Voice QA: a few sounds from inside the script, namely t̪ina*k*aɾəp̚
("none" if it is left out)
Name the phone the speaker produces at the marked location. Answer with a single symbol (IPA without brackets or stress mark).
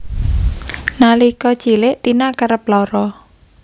k